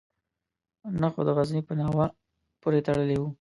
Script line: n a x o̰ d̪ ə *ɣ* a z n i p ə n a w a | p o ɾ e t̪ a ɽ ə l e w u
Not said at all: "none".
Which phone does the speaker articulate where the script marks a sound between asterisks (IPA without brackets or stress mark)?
ɣ